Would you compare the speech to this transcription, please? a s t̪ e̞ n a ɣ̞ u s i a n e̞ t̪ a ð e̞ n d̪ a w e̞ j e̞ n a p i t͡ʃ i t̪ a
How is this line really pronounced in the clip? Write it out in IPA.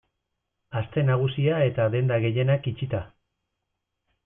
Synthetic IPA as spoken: a s t̪ e̞ n a ɣ̞ u s i a e̞ t̪ a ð e̞ n d̪ a ɣ e̞ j e̞ n a k i t͡ʃ i t̪ a

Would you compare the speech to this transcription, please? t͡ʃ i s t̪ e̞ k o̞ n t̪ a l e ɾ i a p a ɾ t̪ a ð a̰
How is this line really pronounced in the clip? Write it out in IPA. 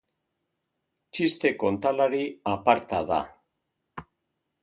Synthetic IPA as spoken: t͡ʃ i s t̪ e̞ k o̞ n t̪ a l a ɾ i a p a ɾ t̪ a ð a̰

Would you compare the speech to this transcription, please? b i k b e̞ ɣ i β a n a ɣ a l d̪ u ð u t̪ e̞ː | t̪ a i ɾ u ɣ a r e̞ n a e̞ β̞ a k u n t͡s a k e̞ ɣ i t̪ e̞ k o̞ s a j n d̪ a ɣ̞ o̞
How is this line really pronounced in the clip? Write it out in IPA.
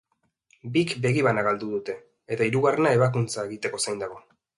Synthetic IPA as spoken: b i k b e̞ ɣ i β a n a ɣ a l d̪ u ð u t̪ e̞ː | t̪ a i ɾ u ɣ a r e̞ n a e̞ β̞ a k u n t͡s a e̞ ɣ i t̪ e̞ k o̞ s a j n d̪ a ɣ̞ o̞

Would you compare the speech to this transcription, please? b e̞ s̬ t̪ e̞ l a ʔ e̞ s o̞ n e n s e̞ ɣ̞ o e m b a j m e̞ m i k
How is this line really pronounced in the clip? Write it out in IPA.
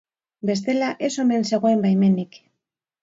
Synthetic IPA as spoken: b e̞ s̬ t̪ e̞ l a ʔ e̞ s o̞ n e n s e̞ ɣ̞ o e m b a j m e̞ n i k

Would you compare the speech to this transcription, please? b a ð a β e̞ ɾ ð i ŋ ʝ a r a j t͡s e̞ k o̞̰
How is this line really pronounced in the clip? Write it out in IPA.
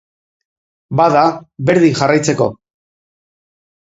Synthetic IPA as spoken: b a ð a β e̞ ɾ ð i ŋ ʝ a r a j t͡s e̞ k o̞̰

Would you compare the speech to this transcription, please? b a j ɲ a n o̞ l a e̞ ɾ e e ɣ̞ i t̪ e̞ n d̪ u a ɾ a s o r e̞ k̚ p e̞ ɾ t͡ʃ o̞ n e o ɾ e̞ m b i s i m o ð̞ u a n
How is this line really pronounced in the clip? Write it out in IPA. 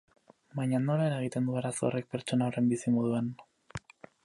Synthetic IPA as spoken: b a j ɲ a n o̞ l a e̞ ɾ a e ɣ̞ i t̪ e̞ n d̪ u a ɾ a s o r e̞ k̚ p e̞ ɾ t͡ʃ o̞ n a o r e̞ m b i s i m o ð̞ u a n

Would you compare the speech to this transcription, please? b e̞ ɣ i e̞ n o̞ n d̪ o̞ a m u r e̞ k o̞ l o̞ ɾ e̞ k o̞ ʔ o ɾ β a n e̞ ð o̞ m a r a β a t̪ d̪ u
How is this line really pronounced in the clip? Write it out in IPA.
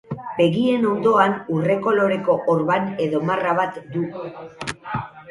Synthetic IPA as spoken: b e̞ ɣ i e̞ n o̞ n d̪ o̞ a n u r e̞ k o̞ l o̞ ɾ e̞ k o̞ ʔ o ɾ β a n e̞ ð o̞ m a r a β a t̪ d̪ u

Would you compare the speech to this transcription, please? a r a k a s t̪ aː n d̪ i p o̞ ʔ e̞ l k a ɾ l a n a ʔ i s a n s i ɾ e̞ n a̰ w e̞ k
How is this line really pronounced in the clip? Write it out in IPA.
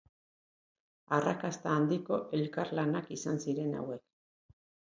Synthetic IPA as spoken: a r a k a s t̪ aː n d̪ i k o̞ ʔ e̞ l k a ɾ l a n a k i s a n s i ɾ e̞ n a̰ w e̞ k

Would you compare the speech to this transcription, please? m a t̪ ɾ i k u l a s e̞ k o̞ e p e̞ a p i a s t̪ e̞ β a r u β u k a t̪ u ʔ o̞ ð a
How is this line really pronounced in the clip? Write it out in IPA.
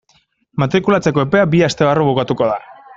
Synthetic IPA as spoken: m a t̪ ɾ i k u l a t͡s e̞ k o̞ e p e̞ a b i a s t̪ e̞ β a r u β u k a t̪ u k o̞ ð a

